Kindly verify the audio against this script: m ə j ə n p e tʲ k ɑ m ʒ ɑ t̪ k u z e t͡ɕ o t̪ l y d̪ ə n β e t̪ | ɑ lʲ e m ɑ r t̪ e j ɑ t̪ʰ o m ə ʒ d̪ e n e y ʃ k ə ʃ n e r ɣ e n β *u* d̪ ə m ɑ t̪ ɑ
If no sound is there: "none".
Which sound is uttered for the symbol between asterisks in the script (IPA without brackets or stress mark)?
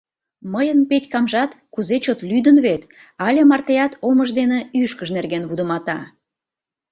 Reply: u